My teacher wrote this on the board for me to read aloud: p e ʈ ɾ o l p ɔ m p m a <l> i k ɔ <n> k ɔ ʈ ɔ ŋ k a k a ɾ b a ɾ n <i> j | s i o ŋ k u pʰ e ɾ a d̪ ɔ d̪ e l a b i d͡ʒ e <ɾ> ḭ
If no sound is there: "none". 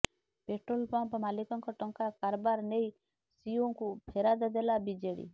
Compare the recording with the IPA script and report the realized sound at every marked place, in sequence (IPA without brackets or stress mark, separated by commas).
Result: l, ŋ, e, ɽ